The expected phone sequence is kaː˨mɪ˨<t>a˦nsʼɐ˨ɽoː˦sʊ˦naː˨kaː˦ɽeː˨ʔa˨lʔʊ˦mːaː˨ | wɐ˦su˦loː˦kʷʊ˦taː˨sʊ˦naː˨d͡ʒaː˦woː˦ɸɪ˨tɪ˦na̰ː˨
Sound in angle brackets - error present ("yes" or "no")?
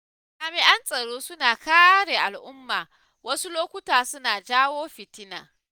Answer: yes